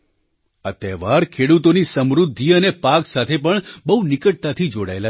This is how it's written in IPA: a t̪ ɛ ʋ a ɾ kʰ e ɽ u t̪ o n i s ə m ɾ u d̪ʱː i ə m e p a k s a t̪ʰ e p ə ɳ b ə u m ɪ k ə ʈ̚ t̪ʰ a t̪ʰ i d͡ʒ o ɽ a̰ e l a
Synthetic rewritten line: a t̪ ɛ ʋ a ɾ kʰ e ɽ u t̪ o n i s ə m ɾ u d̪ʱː i ə n e p a k s a t̪ʰ e p ə ɳ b ə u n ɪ k ə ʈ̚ t̪ a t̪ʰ i d͡ʒ o ɽ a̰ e l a